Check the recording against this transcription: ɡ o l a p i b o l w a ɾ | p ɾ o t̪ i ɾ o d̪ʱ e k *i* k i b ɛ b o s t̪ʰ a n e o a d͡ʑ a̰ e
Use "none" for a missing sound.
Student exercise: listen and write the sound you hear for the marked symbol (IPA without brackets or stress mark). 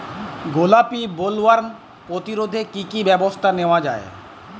i